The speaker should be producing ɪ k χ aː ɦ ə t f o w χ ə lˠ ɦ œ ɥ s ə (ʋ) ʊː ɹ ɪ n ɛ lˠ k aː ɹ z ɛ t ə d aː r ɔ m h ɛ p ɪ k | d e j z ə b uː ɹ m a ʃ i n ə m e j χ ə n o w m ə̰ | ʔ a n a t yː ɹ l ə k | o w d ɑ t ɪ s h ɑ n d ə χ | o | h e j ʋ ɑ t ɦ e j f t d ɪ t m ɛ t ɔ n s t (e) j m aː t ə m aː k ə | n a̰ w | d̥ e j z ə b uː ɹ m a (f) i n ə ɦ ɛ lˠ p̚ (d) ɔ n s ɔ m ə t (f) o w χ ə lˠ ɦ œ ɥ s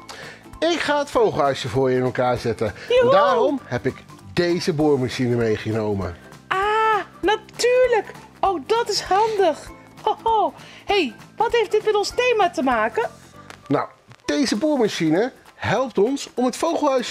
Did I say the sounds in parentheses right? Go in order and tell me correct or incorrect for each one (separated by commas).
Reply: incorrect, correct, incorrect, incorrect, correct